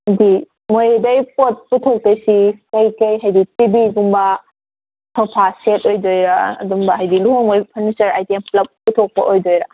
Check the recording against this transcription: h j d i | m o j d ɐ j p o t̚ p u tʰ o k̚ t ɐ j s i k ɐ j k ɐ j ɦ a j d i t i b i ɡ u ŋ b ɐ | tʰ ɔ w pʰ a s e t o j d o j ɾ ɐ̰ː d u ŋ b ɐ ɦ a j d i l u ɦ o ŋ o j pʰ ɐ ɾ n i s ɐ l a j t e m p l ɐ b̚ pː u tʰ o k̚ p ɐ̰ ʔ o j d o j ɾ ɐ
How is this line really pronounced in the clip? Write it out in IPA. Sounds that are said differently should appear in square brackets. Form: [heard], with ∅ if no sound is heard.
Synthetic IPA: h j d i | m o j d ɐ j p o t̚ p u tʰ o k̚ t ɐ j s i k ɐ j k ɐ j ɦ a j d i t i b i ɡ u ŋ b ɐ | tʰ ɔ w pʰ a s e t o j d o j ɾ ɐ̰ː d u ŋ b ɐ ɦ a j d i l u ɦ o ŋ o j pʰ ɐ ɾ n i s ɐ [ɾ] a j t e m p l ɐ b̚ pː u tʰ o k̚ p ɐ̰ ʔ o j d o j ɾ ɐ